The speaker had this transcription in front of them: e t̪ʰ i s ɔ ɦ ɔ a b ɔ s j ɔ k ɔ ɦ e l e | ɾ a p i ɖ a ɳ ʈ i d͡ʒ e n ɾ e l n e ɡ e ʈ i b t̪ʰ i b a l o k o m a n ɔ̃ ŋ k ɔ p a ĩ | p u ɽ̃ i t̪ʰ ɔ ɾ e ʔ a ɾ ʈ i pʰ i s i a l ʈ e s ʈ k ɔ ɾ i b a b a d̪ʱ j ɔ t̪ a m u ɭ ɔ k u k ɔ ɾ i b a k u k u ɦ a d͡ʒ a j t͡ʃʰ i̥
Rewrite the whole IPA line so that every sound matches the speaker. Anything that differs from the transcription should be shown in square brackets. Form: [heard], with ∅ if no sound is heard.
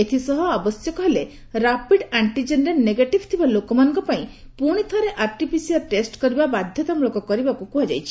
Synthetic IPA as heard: e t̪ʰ i s ɔ ɦ ɔ a b ɔ s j ɔ k ɔ ɦ e l e | ɾ a p i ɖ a ɳ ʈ i d͡ʒ e n ɾ e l n e ɡ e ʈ i b t̪ʰ i b a l o k [ɔ] m a n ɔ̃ ŋ k ɔ p a ĩ | p u ɽ̃ i t̪ʰ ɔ ɾ e ʔ a ɾ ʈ i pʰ i s i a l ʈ e s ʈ k ɔ ɾ i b a b a d̪ʱ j ɔ t̪ a m u ɭ ɔ k [ɔ] k ɔ ɾ i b a k u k u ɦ a d͡ʒ a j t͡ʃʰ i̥